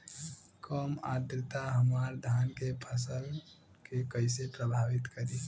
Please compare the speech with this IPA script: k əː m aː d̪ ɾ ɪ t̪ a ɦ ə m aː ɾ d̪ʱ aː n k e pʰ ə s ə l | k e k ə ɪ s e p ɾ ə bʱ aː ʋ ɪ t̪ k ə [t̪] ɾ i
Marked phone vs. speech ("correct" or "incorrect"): incorrect